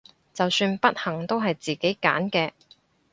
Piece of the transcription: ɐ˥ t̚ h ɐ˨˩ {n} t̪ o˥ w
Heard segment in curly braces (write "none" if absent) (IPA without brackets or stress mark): ŋ